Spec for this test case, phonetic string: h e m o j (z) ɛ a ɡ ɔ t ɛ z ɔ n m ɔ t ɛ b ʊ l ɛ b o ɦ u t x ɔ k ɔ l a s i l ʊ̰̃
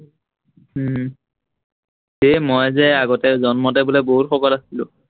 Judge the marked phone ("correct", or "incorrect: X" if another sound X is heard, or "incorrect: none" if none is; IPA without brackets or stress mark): correct